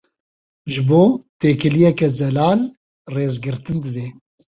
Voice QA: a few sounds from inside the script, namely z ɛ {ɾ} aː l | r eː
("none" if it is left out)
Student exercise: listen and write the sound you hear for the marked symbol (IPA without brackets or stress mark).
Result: l